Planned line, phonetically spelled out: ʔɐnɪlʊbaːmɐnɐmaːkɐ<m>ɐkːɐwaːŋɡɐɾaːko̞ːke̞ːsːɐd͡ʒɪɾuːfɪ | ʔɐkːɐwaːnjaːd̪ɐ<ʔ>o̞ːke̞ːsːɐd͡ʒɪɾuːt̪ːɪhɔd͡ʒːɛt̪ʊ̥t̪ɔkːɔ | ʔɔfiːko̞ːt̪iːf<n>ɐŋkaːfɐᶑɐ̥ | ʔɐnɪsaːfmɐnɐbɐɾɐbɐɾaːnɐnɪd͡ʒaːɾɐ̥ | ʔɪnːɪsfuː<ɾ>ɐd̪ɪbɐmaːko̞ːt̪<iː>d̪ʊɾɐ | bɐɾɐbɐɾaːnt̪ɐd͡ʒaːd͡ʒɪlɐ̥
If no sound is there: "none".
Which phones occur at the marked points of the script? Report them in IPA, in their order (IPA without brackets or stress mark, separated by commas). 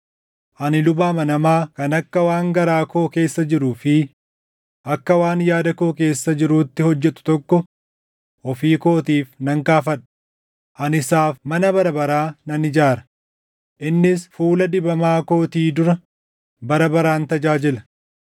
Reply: n, k, n, l, iː